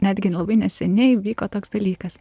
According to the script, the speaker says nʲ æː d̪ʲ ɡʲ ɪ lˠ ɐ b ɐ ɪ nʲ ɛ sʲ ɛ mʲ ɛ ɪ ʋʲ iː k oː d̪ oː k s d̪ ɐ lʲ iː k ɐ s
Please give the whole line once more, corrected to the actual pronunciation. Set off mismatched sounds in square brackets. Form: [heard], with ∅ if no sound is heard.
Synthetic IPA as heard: nʲ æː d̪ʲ ɡʲ ɪ lˠ ɐ b ɐ ɪ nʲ ɛ sʲ ɛ [nʲ] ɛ ɪ ʋʲ iː k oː [t̪] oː k s d̪ ɐ lʲ iː k ɐ s